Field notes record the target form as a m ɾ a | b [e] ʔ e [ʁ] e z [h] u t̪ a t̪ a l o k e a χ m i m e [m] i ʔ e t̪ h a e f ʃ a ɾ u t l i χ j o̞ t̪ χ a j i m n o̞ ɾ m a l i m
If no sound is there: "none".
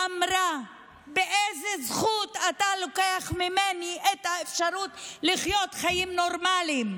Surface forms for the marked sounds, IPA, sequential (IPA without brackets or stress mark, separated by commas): e, z, χ, n